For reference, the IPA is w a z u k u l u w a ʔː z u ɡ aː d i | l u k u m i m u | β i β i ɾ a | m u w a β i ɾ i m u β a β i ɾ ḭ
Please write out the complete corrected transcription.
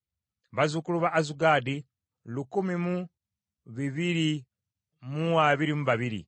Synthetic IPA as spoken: β a z u k u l u β a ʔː z u ɡ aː d i | l u k u m i m u | β i β i ɾ i | m u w a β i ɾ i m u β a β i ɾ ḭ